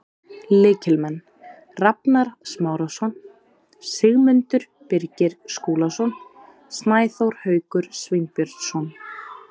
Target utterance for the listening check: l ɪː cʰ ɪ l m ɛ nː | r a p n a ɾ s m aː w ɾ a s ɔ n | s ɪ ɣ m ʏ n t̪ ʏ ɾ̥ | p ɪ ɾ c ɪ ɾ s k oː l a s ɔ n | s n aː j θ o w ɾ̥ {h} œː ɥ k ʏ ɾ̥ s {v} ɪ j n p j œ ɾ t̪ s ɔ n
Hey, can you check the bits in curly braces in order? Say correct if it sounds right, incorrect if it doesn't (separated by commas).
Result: correct, correct